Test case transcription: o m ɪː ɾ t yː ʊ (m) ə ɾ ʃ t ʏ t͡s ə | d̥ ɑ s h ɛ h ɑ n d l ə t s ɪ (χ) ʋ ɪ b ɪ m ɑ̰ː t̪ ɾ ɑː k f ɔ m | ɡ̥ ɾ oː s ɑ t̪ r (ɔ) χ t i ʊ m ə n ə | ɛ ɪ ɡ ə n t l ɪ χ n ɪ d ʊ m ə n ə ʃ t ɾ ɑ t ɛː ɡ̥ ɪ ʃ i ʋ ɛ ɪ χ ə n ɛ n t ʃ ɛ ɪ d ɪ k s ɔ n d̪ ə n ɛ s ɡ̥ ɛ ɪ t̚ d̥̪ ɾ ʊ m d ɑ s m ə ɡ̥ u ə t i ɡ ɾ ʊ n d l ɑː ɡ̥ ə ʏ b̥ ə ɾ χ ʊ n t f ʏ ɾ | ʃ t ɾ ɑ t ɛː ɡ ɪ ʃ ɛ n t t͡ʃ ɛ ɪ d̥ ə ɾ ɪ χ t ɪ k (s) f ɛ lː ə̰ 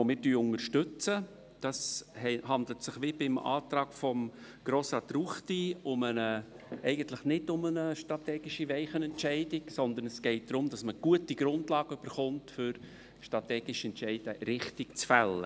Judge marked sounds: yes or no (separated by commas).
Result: no, yes, no, no